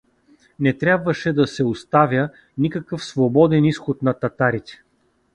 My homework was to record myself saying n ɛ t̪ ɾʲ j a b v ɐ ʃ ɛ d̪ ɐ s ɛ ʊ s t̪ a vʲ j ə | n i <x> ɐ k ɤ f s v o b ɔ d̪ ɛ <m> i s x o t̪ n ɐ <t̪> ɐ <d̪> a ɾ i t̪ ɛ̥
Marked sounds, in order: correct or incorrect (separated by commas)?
incorrect, incorrect, correct, incorrect